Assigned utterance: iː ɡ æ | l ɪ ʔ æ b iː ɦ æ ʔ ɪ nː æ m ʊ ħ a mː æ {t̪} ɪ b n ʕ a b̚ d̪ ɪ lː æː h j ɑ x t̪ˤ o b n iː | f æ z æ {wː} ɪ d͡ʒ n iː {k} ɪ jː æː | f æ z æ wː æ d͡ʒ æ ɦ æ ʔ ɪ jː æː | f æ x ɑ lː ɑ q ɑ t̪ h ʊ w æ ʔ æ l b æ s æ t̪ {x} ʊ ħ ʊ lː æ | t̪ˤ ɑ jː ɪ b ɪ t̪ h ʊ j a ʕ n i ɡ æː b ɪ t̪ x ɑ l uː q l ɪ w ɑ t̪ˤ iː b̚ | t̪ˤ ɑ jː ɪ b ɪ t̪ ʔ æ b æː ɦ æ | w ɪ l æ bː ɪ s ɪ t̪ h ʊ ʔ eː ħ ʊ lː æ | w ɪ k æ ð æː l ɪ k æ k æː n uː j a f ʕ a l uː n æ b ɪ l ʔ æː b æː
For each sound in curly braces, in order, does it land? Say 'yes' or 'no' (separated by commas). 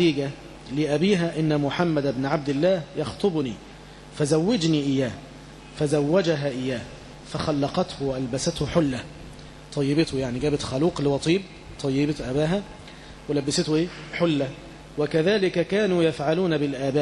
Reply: no, yes, no, no